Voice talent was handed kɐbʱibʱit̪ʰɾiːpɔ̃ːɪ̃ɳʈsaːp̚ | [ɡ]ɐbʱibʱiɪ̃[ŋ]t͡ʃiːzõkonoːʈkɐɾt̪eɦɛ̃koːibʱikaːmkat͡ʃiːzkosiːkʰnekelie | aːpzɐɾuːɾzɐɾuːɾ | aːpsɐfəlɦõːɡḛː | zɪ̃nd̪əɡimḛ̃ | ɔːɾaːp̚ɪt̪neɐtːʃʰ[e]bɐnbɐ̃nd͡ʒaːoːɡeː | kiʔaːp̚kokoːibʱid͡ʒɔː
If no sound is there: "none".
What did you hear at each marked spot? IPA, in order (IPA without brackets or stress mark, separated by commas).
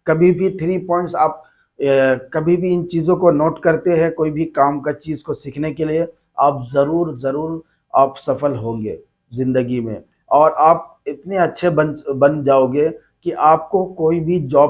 k, n, e